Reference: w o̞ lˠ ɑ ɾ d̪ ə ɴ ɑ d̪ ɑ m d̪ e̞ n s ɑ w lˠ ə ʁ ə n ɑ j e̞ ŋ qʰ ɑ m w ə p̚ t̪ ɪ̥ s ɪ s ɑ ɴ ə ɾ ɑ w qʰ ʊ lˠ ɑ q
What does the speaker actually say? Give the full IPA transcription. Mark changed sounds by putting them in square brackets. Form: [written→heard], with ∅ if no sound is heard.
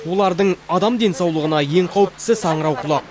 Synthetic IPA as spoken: w o̞ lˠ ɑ ɾ d̪ ə ɴ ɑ d̪ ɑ m d̪ e̞ n s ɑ w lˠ ə ʁ ə n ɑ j e̞ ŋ qʰ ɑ [m→∅] w ə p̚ t̪ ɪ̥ s ɪ s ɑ ɴ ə ɾ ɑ w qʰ ʊ lˠ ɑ q